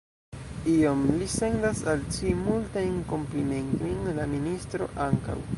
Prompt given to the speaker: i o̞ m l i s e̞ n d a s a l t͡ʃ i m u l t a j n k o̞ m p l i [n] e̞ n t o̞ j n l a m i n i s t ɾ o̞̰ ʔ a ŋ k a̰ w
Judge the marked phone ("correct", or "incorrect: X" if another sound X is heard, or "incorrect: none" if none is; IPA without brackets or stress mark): incorrect: m